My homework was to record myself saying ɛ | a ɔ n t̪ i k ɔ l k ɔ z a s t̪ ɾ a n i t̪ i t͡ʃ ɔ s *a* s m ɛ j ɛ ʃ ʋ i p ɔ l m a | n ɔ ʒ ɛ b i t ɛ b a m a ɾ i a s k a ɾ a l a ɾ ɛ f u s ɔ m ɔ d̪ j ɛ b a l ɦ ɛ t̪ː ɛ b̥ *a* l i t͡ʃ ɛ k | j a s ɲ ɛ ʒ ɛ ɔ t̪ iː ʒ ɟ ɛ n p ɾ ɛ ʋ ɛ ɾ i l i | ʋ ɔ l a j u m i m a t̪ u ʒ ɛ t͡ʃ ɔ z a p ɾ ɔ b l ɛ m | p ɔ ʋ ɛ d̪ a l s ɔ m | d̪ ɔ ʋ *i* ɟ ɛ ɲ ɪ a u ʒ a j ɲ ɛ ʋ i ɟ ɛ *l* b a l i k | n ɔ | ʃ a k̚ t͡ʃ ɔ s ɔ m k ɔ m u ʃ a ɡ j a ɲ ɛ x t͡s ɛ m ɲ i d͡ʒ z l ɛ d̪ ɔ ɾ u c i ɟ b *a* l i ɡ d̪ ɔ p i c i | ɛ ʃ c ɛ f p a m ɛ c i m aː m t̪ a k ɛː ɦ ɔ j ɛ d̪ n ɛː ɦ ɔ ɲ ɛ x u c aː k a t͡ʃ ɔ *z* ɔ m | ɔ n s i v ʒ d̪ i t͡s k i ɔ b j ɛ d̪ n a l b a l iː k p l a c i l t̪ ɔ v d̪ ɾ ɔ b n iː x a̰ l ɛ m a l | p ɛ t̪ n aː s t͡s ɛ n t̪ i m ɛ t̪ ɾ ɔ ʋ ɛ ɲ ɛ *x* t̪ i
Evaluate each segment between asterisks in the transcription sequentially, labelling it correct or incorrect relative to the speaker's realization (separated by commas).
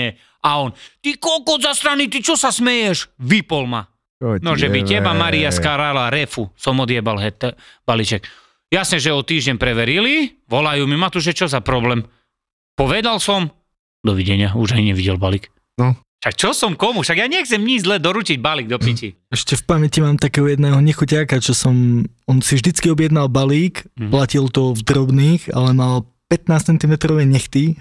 correct, correct, correct, correct, correct, incorrect, correct